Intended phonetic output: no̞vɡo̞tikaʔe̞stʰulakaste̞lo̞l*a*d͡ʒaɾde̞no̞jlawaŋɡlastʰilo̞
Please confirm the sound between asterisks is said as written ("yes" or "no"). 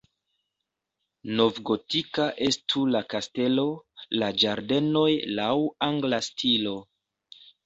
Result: yes